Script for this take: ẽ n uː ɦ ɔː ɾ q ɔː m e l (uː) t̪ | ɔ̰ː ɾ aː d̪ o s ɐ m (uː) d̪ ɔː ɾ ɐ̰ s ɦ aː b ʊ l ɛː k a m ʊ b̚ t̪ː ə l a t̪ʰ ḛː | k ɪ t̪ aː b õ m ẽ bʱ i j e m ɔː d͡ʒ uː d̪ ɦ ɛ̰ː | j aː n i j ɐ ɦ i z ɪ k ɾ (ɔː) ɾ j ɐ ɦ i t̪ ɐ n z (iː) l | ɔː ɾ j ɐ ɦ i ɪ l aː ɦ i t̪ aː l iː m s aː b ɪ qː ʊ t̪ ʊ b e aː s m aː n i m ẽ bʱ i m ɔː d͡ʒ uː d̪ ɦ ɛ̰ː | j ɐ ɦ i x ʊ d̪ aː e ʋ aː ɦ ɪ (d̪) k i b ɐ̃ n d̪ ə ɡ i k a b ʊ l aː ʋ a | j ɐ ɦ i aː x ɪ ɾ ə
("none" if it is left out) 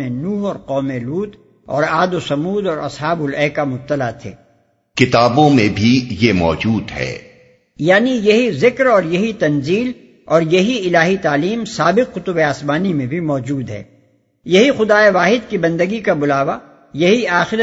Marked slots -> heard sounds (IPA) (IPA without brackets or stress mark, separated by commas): uː, uː, ɔː, iː, d̪